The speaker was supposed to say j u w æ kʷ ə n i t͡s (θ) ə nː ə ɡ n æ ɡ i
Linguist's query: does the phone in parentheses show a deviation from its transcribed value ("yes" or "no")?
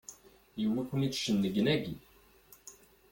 yes